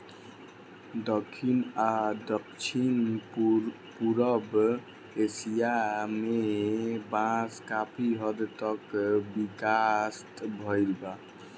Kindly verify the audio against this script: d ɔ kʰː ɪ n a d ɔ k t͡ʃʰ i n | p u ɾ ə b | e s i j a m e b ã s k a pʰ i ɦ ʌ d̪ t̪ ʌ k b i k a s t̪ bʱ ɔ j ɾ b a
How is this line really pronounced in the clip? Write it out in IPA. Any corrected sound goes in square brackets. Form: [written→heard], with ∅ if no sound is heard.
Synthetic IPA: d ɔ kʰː [ɪ→i] n a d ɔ k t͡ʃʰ i n | p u ɾ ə b | e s i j a m e b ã s k a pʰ i ɦ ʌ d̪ t̪ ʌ k b i k a s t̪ bʱ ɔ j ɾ b a